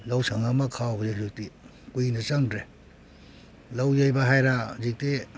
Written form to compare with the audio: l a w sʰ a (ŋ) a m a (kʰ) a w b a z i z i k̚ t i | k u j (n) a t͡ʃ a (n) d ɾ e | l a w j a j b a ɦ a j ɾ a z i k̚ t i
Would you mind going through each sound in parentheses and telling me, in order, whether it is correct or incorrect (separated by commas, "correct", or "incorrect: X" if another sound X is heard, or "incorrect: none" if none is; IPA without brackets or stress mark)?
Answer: correct, correct, correct, incorrect: ŋ